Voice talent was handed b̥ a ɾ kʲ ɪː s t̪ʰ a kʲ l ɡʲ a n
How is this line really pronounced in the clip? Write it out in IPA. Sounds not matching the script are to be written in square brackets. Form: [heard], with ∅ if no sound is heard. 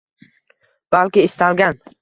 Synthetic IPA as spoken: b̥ a [l] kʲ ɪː s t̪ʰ a [∅] l ɡʲ a n